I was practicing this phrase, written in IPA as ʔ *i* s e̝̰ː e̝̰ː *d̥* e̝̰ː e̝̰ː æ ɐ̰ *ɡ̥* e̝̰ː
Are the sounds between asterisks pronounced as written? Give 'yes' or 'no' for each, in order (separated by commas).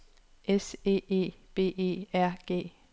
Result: no, no, yes